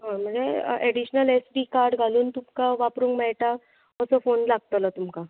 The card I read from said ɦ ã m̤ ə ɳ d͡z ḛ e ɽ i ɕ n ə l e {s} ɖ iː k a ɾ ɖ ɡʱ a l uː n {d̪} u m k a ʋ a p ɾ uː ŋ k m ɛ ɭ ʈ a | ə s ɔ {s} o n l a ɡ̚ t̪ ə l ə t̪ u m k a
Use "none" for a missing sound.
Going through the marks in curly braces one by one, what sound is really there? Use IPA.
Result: s, t̪, f

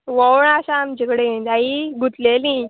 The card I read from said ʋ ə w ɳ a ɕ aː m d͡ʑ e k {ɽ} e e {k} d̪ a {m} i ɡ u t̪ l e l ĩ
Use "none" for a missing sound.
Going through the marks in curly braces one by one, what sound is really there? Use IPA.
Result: ɽ, none, none

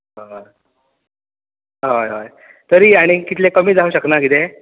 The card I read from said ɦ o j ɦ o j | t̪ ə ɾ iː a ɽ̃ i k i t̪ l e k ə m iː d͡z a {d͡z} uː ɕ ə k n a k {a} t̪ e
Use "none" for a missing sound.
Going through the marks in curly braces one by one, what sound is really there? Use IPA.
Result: none, i

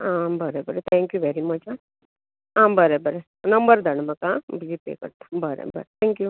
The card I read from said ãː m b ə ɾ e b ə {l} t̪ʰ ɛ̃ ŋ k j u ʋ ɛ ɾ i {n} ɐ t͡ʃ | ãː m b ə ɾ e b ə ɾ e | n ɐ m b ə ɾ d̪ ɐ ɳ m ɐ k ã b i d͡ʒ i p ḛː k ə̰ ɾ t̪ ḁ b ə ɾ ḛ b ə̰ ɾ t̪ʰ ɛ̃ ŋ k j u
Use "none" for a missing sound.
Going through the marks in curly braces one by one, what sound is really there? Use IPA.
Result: ɾ, m

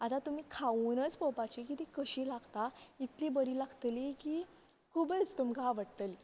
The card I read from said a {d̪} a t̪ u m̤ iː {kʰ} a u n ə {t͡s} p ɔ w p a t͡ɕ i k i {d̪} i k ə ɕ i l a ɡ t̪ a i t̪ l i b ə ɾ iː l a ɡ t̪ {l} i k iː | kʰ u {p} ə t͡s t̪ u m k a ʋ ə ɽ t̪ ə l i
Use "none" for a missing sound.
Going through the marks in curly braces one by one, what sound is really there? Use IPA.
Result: t̪, kʰ, t͡s, t̪, l, b

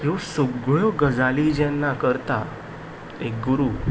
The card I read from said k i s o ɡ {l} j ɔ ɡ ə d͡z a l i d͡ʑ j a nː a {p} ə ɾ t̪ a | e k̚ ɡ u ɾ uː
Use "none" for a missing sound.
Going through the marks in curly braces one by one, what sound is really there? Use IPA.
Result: ɭ, k

